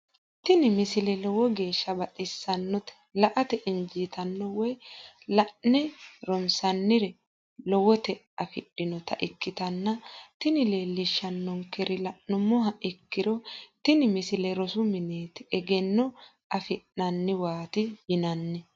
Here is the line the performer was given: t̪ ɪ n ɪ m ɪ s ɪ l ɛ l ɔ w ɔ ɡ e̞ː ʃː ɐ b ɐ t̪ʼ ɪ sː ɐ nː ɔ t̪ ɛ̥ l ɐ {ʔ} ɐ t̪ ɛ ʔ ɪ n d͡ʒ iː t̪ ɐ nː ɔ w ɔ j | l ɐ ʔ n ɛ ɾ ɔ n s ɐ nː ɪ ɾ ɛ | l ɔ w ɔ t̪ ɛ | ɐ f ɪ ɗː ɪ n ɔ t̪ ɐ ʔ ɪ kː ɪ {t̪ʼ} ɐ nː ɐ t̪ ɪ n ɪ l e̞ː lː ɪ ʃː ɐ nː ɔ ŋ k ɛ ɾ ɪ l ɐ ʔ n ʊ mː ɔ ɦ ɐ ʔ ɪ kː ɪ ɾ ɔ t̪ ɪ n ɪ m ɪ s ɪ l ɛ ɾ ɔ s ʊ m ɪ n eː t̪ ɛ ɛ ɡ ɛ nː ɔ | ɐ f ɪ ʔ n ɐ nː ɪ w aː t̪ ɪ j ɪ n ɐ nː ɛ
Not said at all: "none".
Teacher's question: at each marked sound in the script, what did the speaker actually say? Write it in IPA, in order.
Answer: ʔ, t̪

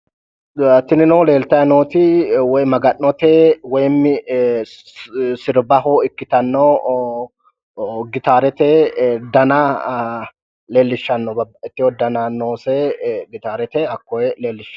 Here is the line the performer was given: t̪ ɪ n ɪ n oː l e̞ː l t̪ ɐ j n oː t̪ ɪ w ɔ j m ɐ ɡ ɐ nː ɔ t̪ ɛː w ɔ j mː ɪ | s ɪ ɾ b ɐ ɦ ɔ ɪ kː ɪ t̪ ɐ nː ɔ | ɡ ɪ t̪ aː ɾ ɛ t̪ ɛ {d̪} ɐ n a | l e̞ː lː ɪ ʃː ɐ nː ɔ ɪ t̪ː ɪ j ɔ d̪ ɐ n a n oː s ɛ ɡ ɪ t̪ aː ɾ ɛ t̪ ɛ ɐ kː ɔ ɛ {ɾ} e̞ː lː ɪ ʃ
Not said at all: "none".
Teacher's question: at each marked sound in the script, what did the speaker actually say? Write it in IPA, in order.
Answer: d̪, l

